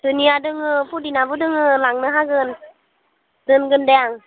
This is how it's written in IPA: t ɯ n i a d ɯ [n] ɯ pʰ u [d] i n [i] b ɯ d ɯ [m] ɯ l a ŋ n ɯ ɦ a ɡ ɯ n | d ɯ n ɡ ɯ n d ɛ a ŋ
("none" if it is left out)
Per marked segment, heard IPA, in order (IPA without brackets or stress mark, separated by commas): ŋ, d, a, ŋ